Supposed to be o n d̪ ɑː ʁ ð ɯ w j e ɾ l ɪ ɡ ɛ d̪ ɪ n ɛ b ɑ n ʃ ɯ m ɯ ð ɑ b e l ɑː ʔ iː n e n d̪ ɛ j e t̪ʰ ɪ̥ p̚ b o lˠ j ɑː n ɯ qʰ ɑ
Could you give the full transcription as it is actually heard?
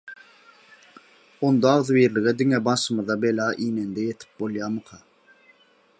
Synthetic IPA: o n d̪ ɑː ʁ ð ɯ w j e ɾ l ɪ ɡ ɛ d̪ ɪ ŋ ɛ b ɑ n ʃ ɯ m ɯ ð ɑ b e l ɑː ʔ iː n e n d̪ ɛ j e t̪ʰ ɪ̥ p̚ b o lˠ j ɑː m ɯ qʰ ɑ